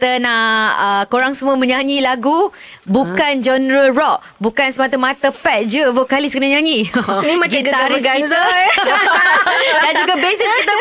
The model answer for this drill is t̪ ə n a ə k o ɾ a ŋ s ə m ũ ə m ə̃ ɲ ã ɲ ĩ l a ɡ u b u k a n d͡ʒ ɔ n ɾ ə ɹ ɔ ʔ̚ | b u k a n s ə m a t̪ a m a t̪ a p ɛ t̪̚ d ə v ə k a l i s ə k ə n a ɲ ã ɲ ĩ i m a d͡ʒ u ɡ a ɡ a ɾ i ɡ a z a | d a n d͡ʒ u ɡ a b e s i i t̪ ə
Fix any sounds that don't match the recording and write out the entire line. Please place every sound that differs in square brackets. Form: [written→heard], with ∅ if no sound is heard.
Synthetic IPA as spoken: t̪ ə n a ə k o ɾ a ŋ s ə m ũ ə m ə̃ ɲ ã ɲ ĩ l a ɡ u b u k a n d͡ʒ ɔ n ɾ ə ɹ ɔ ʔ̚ | b u k a n s ə m a t̪ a m a t̪ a p ɛ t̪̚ [d→d͡ʒ] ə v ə k a l i s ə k ə n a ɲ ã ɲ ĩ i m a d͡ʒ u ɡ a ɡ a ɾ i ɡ a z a | d a n d͡ʒ u ɡ a b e s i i t̪ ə